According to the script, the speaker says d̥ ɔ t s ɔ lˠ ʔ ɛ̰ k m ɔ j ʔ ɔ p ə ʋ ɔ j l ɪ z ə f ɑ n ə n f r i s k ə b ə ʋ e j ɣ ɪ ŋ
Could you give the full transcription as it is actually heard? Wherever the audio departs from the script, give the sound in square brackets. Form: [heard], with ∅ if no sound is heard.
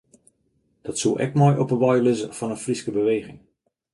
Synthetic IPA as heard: d̥ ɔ t s [u] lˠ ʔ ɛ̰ k m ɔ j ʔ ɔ p ə ʋ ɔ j l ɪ z ə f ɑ n ə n f r i s k ə b ə ʋ e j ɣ ɪ ŋ